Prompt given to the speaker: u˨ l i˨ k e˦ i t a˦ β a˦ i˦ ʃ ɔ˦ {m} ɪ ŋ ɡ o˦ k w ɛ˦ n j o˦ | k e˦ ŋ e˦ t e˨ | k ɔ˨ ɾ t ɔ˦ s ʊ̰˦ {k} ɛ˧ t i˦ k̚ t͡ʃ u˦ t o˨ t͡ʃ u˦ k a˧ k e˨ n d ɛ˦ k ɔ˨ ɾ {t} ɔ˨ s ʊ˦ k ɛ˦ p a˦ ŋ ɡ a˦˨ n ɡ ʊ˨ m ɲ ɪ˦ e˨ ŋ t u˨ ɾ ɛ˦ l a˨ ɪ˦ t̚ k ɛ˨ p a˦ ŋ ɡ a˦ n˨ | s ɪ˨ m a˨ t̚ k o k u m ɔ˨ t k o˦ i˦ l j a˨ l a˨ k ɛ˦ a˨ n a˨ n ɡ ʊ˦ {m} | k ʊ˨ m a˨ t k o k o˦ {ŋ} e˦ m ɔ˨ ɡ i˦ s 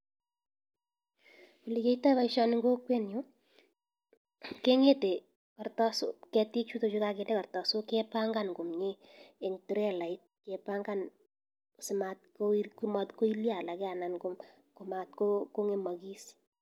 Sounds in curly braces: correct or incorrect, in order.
incorrect: n, correct, correct, correct, correct

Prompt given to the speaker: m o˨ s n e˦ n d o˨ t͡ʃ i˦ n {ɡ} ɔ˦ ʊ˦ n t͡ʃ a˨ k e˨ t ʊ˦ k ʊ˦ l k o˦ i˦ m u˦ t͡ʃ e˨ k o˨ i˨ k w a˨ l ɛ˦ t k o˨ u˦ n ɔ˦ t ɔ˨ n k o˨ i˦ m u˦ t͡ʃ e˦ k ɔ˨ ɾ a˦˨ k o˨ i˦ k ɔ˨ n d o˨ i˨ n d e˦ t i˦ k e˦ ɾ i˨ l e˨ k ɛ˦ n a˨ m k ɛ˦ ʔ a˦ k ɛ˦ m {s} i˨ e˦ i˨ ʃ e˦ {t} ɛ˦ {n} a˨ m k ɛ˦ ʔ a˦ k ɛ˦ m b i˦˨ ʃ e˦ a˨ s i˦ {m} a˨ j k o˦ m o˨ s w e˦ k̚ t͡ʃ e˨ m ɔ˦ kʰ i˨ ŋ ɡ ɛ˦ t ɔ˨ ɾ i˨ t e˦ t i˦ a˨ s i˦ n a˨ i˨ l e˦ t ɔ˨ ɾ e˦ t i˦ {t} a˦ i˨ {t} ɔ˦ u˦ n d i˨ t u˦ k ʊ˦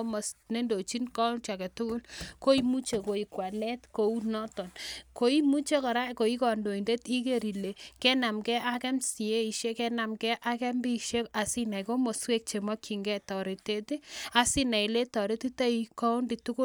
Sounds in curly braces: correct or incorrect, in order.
incorrect: k, correct, incorrect: k, correct, incorrect: n, correct, incorrect: k

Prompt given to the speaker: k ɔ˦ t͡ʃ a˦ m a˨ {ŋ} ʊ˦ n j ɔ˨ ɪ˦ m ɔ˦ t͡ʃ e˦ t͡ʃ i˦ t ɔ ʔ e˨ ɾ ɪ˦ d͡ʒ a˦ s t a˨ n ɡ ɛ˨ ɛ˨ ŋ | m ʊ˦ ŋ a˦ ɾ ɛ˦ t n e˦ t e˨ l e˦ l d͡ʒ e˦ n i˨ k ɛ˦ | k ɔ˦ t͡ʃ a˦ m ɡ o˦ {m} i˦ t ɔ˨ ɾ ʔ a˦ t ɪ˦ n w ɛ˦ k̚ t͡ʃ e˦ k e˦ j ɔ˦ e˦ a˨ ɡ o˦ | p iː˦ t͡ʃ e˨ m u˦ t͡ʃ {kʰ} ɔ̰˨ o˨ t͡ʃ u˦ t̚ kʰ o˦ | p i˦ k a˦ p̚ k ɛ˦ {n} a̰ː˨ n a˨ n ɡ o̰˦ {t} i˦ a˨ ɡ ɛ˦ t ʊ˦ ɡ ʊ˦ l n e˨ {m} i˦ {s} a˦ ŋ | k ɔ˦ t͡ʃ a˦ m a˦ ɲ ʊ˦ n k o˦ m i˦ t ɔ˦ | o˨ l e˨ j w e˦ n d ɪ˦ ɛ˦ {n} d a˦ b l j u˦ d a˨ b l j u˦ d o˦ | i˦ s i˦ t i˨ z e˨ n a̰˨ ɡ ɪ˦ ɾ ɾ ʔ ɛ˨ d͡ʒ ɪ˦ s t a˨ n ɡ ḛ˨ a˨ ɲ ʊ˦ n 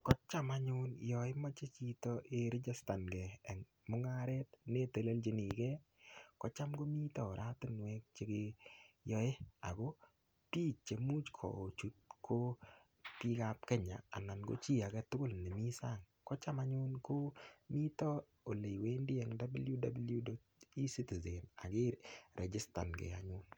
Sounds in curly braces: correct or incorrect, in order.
incorrect: ɲ, correct, correct, incorrect: ɲ, incorrect: t͡ʃ, correct, correct, incorrect: ŋ

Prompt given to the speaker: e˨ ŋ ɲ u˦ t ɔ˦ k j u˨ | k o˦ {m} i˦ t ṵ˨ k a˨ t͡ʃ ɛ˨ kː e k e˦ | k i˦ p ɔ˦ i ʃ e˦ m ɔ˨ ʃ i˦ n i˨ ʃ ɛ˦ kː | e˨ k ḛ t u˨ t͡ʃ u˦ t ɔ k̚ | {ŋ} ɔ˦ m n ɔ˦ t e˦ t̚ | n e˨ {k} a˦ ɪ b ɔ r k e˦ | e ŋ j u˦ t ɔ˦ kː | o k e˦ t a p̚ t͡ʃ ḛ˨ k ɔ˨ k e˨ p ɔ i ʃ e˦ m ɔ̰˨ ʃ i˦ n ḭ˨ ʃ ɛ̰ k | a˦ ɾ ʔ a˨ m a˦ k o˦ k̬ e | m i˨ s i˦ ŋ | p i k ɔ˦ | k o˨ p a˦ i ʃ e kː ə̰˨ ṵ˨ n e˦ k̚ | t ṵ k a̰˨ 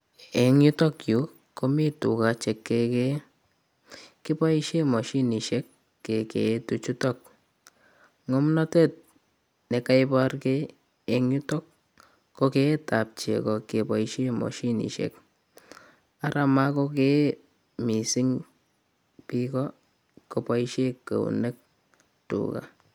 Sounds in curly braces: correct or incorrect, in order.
correct, correct, correct

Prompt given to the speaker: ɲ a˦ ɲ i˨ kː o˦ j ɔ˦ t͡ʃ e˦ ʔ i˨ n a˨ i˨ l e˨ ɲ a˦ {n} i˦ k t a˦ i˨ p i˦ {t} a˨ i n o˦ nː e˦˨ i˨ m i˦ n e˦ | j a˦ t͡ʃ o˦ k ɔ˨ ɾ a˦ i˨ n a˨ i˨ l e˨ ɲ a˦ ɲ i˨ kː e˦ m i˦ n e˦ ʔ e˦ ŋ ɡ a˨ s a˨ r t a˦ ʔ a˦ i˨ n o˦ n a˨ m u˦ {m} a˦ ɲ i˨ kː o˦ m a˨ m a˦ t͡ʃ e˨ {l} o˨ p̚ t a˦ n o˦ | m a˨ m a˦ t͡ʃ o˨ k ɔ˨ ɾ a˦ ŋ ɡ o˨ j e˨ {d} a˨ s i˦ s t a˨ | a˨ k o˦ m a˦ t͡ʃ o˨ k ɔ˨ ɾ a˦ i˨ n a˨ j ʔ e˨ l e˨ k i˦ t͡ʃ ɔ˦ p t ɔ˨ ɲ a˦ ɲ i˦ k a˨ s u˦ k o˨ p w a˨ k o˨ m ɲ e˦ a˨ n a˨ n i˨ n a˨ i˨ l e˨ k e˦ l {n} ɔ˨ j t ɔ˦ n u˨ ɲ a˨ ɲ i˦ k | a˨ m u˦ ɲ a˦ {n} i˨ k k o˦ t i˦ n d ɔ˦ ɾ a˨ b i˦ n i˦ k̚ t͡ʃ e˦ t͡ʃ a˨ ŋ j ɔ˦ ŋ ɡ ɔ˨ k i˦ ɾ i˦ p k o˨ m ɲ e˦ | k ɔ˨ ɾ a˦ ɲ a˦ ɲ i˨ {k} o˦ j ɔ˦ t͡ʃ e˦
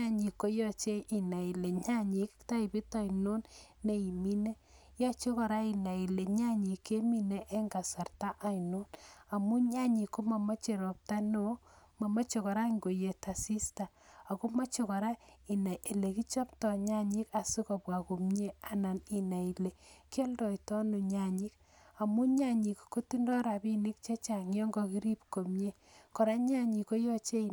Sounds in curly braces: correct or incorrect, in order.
incorrect: ɲ, correct, incorrect: ɲ, incorrect: ɾ, incorrect: t, incorrect: d, incorrect: ɲ, correct

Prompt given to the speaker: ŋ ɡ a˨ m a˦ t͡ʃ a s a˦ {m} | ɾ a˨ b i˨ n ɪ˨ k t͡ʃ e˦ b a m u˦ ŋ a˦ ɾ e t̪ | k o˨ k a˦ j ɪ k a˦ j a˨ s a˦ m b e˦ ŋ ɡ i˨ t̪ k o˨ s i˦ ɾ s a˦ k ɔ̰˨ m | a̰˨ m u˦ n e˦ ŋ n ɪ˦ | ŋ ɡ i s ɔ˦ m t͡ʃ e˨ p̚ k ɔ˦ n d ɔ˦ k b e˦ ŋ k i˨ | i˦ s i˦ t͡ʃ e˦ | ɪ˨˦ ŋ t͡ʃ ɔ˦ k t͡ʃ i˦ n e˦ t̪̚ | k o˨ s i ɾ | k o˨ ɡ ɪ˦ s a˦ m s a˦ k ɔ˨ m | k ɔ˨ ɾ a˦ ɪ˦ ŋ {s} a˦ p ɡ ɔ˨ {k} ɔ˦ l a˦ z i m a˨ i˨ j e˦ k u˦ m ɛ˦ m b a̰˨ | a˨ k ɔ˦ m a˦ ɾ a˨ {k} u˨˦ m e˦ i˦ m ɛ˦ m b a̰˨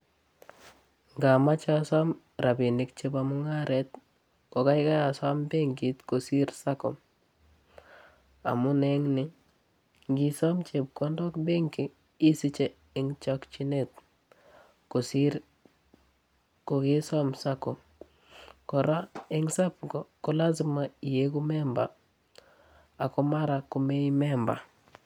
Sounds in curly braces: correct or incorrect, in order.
correct, correct, correct, correct

